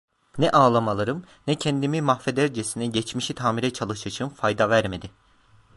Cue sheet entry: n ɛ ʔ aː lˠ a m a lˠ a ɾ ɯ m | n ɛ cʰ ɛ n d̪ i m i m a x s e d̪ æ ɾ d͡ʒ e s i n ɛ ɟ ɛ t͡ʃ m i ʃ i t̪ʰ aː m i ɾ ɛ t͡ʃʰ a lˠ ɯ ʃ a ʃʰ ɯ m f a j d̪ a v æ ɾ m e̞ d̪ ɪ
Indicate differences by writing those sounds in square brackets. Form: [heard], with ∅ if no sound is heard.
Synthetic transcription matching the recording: n ɛ ʔ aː lˠ a m a lˠ a ɾ ɯ m | n ɛ cʰ ɛ n d̪ i m i m a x [f] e d̪ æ ɾ d͡ʒ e s i n ɛ ɟ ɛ t͡ʃ m i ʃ i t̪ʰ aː m i ɾ ɛ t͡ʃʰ a lˠ ɯ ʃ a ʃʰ ɯ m f a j d̪ a v æ ɾ m e̞ d̪ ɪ